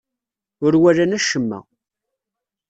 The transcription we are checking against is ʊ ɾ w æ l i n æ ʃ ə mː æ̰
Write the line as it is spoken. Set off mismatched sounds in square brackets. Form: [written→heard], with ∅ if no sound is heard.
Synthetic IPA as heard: ʊ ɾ w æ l [i→æ] n æ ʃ ə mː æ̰